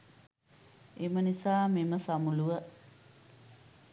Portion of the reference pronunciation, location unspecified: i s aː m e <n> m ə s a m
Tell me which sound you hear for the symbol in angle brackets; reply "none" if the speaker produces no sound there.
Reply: none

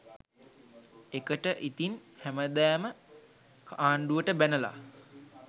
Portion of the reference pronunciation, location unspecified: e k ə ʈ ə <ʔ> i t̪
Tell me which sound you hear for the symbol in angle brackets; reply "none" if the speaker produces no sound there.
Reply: ʔ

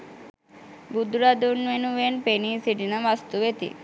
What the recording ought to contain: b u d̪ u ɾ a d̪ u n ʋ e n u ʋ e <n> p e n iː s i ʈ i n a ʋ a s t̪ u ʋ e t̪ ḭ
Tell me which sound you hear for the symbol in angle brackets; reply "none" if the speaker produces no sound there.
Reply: n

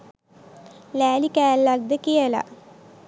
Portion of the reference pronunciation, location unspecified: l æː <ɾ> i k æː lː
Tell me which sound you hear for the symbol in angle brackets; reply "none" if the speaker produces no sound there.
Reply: l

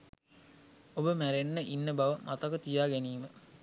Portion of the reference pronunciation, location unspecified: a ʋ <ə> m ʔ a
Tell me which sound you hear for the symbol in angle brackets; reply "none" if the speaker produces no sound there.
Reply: ə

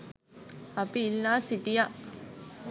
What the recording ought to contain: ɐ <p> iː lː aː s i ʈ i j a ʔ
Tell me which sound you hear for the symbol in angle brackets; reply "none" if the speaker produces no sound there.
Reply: p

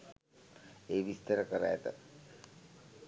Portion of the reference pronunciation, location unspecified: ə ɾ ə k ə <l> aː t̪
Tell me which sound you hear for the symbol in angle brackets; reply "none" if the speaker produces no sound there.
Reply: ɾ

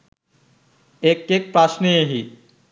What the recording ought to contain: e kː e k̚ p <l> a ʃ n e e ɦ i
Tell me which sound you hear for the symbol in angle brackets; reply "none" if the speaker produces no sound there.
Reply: ɾ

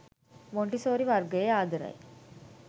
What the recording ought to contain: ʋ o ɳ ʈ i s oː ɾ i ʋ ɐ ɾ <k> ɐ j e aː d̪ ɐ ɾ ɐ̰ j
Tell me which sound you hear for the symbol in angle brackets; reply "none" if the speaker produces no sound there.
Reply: ɡ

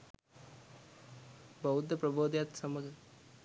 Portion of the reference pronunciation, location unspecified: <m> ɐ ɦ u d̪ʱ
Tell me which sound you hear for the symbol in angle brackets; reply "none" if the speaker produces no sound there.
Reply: b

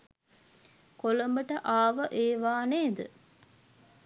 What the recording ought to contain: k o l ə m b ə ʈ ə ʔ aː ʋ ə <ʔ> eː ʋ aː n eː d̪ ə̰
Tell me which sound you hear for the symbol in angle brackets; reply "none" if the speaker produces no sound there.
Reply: ʔ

